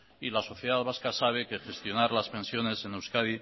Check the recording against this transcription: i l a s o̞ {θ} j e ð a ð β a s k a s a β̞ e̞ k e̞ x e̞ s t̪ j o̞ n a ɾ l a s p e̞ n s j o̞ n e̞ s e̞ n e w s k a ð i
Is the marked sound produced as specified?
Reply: yes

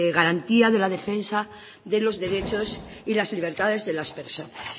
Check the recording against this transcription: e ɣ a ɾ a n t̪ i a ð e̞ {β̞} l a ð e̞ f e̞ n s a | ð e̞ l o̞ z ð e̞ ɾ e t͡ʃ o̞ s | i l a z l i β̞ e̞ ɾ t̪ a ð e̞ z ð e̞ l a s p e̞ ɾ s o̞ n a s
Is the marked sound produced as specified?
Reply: no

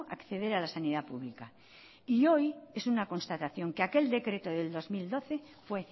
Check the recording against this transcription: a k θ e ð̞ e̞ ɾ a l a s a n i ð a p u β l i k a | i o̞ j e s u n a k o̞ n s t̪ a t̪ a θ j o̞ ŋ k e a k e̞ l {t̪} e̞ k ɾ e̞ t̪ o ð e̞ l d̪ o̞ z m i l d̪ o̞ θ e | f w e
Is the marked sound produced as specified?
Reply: no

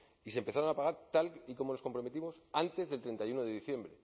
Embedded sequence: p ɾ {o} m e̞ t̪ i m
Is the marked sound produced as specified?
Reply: yes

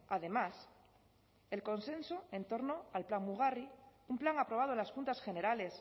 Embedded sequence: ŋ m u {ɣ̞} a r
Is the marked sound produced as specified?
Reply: yes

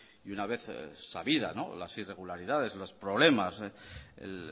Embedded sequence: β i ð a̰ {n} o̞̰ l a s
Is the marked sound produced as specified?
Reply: yes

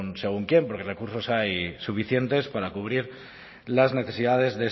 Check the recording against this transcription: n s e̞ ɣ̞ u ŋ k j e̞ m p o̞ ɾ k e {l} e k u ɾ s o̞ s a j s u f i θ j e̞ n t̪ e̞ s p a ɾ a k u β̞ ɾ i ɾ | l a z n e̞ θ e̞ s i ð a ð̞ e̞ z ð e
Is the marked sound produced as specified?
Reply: no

